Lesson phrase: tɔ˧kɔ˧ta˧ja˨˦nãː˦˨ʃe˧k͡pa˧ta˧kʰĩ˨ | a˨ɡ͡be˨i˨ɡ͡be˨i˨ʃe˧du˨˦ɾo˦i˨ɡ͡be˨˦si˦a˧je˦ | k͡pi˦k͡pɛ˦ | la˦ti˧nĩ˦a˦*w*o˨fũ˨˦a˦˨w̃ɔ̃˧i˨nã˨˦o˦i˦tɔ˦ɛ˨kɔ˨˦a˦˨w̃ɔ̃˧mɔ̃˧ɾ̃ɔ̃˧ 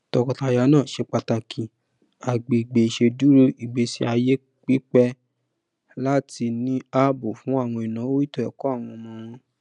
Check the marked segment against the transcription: incorrect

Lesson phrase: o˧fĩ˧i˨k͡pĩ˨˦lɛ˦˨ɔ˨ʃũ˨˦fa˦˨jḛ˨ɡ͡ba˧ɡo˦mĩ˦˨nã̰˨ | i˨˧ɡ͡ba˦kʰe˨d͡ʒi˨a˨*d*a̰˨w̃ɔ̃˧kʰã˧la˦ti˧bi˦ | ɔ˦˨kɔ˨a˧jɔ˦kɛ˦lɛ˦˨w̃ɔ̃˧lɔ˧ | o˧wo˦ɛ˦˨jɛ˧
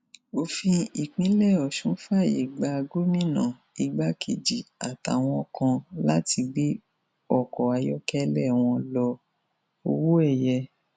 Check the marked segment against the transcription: incorrect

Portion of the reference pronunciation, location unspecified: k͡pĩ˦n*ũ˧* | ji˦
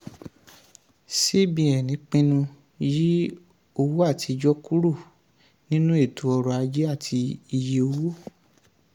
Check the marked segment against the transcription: correct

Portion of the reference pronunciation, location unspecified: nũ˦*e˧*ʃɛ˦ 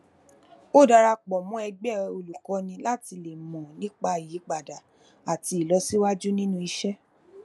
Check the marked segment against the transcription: incorrect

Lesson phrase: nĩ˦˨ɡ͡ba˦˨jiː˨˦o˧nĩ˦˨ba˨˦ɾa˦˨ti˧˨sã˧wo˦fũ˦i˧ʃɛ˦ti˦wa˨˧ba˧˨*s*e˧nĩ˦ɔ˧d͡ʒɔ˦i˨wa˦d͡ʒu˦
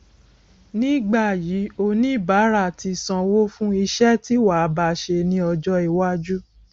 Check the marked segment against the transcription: incorrect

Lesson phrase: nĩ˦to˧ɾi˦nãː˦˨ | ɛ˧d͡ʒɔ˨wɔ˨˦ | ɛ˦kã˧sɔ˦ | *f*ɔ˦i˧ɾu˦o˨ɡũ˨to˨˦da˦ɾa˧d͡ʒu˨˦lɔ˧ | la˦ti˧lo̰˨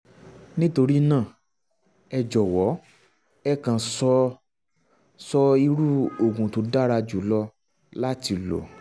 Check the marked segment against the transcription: incorrect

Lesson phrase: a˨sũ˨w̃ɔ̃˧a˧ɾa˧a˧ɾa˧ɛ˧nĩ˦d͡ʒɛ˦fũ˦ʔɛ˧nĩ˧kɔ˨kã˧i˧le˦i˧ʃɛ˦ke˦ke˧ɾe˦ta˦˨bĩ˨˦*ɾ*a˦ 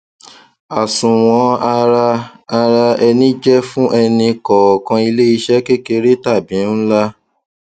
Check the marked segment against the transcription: incorrect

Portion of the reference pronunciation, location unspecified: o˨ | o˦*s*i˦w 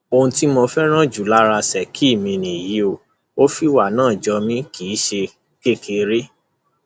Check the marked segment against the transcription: incorrect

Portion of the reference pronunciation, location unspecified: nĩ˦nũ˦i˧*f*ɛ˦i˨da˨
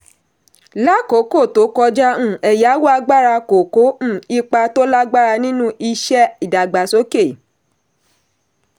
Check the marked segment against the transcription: incorrect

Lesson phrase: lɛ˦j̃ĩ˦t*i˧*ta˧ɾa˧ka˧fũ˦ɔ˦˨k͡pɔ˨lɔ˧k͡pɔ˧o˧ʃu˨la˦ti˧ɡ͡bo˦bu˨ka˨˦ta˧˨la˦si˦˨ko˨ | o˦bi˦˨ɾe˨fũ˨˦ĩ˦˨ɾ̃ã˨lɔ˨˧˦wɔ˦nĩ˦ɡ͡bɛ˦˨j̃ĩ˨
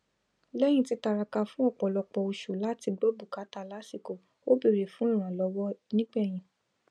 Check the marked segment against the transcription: correct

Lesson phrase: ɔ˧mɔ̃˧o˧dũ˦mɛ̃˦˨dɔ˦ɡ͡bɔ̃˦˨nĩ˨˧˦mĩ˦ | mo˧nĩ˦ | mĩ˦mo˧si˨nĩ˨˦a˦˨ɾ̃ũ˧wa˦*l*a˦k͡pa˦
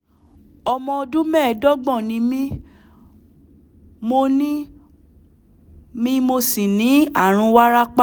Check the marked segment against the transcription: incorrect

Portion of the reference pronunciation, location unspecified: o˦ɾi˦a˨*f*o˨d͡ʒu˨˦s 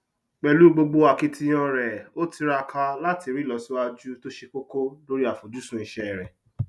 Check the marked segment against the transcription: correct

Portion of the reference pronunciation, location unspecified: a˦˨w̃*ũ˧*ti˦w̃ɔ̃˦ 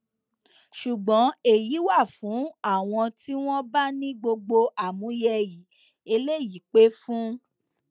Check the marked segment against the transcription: incorrect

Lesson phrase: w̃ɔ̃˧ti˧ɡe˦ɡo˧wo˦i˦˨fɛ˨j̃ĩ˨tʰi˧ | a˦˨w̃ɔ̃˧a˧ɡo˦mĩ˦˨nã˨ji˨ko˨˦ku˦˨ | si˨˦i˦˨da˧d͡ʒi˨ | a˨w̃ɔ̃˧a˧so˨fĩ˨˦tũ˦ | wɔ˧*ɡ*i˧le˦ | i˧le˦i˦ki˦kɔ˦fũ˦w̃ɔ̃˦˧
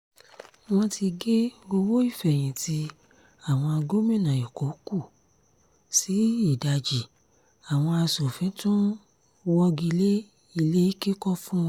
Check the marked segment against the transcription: correct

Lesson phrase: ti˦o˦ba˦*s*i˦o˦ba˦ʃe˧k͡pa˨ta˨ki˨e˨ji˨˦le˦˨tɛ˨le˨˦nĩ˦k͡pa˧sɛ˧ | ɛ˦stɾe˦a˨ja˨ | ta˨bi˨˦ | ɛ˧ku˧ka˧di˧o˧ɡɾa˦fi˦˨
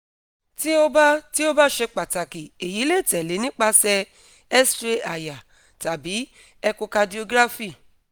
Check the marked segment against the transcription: incorrect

